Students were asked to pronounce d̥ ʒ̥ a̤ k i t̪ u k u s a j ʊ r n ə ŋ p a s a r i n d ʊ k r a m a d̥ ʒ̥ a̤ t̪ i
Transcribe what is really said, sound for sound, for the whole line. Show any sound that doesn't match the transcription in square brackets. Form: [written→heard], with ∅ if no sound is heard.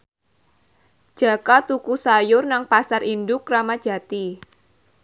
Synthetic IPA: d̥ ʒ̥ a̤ k [i→a] t̪ u k u s a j ʊ r n [ə→a] ŋ p a s a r i n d ʊ k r a m a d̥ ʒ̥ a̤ t̪ i